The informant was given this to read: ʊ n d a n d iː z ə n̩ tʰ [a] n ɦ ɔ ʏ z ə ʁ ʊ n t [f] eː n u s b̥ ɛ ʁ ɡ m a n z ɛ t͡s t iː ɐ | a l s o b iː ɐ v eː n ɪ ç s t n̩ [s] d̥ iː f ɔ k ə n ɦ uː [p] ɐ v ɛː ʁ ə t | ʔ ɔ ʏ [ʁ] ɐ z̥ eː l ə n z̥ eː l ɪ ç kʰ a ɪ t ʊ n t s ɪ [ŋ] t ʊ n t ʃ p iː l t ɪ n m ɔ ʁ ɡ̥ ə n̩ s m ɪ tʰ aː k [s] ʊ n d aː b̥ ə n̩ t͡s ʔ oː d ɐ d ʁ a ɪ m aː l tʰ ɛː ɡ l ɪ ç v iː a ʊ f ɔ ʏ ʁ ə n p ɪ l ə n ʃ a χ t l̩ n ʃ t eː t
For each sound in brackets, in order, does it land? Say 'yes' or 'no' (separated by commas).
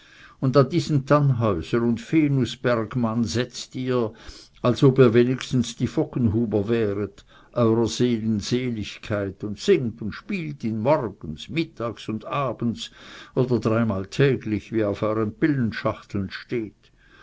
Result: yes, yes, yes, no, yes, yes, yes